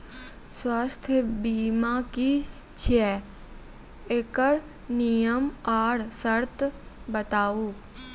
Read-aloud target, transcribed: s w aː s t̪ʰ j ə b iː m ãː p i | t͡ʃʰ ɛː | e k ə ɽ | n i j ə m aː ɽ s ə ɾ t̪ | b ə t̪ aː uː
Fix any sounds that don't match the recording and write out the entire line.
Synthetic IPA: s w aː s t̪ʰ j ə b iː m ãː k i | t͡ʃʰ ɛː | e k ə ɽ | n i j ə m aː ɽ s ə ɾ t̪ | b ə t̪ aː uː